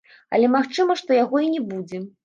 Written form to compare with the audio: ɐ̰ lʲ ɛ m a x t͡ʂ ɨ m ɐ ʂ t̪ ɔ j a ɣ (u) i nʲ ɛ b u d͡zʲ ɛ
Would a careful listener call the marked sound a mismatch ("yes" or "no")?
yes